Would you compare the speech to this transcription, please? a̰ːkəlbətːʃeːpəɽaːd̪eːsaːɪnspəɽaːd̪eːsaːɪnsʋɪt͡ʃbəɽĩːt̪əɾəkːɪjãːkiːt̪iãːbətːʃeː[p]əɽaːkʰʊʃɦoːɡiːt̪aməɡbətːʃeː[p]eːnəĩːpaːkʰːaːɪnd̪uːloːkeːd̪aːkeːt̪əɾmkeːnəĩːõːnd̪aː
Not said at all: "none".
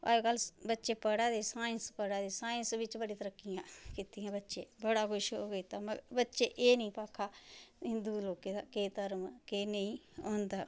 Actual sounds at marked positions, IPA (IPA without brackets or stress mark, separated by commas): b, ʔ